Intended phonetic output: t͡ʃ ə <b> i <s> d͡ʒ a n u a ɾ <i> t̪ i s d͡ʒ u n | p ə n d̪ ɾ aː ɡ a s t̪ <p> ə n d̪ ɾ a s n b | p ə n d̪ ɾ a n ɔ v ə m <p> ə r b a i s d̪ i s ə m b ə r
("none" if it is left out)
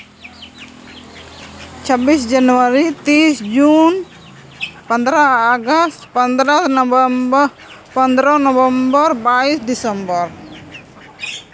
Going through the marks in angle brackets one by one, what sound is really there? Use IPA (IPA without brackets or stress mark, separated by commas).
b, s, i, p, b